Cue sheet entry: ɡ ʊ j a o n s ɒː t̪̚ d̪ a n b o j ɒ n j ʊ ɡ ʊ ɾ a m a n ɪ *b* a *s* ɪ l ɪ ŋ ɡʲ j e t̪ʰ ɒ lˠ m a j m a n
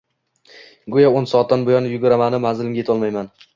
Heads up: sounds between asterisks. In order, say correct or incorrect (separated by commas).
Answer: incorrect, incorrect